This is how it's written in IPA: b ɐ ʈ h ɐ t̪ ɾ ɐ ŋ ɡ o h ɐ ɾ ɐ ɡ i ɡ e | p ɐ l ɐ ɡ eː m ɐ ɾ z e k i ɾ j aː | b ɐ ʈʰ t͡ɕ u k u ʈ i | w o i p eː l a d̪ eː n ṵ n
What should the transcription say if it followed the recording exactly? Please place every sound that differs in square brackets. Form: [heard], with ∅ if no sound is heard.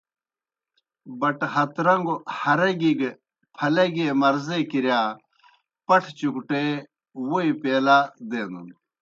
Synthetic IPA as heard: b ɐ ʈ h ɐ t̪ ɾ ɐ ŋ ɡ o h ɐ ɾ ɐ ɡ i ɡ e | [pʰ] ɐ l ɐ ɡ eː m ɐ ɾ z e k i ɾ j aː | [p] ɐ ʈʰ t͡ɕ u k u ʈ [e] | w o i p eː l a d̪ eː n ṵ n